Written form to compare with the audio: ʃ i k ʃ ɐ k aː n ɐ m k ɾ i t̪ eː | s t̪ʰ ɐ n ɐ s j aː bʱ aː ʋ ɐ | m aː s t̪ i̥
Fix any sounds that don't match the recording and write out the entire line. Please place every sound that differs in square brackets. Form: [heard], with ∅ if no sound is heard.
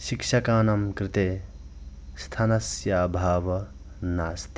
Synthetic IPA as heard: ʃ i k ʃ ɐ k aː n ɐ m k ɾ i t̪ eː | s t̪ʰ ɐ n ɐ s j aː bʱ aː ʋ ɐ | [n] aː s t̪ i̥